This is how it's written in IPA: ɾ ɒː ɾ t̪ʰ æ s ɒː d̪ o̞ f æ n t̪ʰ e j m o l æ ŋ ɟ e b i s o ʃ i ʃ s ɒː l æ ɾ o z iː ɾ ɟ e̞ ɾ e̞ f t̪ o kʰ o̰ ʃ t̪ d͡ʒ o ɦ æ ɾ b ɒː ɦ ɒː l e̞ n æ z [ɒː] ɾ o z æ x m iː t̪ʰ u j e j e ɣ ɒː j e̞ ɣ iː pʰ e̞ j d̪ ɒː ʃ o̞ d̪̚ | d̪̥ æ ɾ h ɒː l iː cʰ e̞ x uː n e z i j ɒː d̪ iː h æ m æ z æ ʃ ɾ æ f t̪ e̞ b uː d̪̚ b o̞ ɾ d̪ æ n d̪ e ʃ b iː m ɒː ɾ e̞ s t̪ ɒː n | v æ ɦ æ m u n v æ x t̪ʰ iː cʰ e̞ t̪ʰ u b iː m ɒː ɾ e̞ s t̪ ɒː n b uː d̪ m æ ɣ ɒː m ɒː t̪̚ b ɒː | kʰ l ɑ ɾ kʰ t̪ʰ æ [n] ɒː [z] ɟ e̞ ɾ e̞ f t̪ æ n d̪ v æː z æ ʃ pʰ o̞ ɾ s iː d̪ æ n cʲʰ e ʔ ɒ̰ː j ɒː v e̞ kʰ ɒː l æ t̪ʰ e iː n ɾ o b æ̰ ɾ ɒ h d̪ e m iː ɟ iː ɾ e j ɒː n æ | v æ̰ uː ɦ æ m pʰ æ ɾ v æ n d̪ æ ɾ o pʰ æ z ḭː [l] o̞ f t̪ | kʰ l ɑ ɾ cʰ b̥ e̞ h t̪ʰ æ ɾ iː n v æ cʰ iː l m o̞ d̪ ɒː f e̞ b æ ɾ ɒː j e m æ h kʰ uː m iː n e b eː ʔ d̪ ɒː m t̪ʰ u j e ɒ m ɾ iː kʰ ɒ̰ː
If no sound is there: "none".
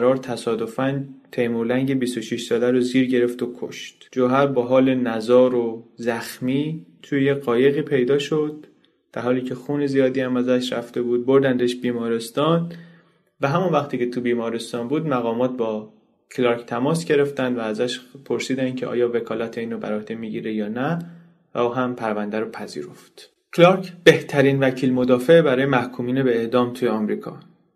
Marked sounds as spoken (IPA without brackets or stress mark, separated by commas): ɒː, m, s, ɾ